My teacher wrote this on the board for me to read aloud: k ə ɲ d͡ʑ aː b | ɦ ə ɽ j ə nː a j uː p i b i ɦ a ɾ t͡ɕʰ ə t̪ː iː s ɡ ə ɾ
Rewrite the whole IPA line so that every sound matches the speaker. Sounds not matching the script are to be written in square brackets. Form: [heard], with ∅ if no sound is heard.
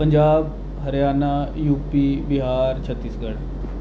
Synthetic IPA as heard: [p] ə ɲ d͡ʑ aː b | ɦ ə [ɾ] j [a] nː a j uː p i b i ɦ a ɾ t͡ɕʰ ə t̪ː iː s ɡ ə [ɽ]